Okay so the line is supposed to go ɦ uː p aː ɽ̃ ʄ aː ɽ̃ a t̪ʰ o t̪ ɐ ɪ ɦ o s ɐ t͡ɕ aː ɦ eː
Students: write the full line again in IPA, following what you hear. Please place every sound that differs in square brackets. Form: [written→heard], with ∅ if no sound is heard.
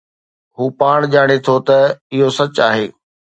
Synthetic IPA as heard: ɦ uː p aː ɽ̃ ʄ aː ɽ̃ [a→e] t̪ʰ o t̪ ɐ ɪ ɦ o s ɐ t͡ɕ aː ɦ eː

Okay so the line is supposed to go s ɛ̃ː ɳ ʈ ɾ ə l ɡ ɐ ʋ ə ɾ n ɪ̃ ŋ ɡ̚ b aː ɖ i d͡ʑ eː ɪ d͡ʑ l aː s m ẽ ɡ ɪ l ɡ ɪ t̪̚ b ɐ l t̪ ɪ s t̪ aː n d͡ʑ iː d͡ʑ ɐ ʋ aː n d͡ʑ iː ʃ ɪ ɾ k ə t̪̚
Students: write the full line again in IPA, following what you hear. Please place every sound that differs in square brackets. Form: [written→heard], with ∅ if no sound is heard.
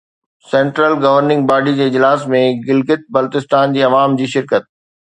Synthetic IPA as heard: s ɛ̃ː ɳ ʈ ɾ ə l ɡ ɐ ʋ ə ɾ n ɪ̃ ŋ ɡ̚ b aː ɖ i d͡ʑ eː ɪ d͡ʑ l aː s m ẽ ɡ ɪ l ɡ ɪ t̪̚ b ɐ l t̪ ɪ s t̪ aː n d͡ʑ iː [d͡ʑ→∅] ɐ ʋ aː [n→m] d͡ʑ iː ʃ ɪ ɾ k ə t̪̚

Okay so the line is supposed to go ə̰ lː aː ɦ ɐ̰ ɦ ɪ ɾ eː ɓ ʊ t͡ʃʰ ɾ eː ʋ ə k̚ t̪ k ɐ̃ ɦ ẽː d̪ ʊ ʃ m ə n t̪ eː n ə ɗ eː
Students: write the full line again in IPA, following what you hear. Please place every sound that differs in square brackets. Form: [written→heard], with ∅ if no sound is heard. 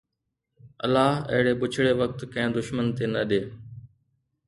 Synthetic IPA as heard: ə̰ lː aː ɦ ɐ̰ ɦ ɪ [ɾ→ɽ] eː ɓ ʊ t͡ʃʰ [ɾ→ɽ] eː ʋ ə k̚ t̪ k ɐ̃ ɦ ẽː d̪ ʊ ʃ m ə n t̪ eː n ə ɗ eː

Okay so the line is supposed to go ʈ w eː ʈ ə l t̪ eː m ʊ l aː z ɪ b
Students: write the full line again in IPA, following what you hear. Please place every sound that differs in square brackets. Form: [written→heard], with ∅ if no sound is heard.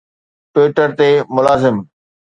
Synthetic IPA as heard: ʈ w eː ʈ ə [l→ɾ] t̪ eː m ʊ l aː z ɪ [b→m]

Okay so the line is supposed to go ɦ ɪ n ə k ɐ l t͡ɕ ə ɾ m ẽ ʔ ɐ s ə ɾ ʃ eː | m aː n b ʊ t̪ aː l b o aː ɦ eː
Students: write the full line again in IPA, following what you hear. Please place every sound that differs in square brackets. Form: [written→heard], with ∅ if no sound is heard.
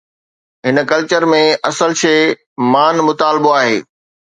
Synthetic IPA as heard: ɦ ɪ n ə k ɐ l t͡ɕ ə ɾ m ẽ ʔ ɐ s ə [ɾ→l] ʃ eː | m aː n [b→m] ʊ t̪ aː l b o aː ɦ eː

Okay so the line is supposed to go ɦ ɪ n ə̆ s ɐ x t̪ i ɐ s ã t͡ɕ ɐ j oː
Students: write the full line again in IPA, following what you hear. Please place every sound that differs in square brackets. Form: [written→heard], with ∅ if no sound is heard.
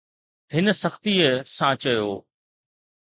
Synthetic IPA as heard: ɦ ɪ n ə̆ s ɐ x t̪ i [ɐ→ə] s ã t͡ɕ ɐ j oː

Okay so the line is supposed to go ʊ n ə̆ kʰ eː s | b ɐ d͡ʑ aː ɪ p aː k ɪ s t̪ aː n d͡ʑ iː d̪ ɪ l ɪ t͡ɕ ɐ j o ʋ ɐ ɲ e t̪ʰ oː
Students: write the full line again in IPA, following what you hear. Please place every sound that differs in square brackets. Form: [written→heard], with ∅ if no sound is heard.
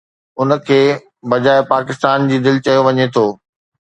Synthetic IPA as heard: ʊ n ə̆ kʰ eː [s→∅] | b ɐ d͡ʑ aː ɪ p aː k ɪ s t̪ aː n d͡ʑ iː d̪ ɪ l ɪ t͡ɕ ɐ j o ʋ ɐ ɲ e t̪ʰ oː

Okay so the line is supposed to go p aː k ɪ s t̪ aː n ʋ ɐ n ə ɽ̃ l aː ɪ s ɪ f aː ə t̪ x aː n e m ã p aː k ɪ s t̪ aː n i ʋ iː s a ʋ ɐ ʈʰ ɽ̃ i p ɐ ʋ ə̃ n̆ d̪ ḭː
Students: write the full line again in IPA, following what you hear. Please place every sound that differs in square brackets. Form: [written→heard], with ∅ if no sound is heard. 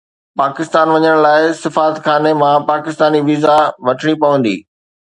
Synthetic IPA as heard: p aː k ɪ s t̪ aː n ʋ ɐ [n→ɲ] ə ɽ̃ l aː ɪ s ɪ f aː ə t̪ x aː n e m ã p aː k ɪ s t̪ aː n i ʋ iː [s→z] a ʋ ɐ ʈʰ ɽ̃ i p ɐ ʋ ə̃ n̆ d̪ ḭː

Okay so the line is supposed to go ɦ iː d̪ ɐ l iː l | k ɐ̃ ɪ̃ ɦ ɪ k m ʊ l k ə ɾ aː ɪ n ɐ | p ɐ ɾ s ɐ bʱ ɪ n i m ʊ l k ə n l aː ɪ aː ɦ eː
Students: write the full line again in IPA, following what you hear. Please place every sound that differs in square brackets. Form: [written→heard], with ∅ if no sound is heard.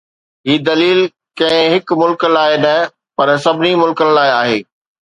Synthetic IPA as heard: ɦ iː d̪ ɐ l iː l | k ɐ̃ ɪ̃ ɦ ɪ k m ʊ l k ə [ɾ→l] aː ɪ n ɐ | p ɐ ɾ s ɐ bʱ ɪ n i m ʊ l k ə n l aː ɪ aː ɦ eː

